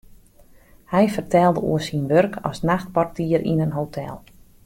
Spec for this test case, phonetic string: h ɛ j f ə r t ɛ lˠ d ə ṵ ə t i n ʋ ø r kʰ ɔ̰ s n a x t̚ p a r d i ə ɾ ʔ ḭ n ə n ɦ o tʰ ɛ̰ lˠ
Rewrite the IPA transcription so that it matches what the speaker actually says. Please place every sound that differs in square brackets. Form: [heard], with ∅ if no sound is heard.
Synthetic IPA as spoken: h ɛ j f ə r t ɛ lˠ d ə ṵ ə [s] i n ʋ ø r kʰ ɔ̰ s n a x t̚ p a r [t] i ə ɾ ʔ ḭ n ə n ɦ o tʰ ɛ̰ lˠ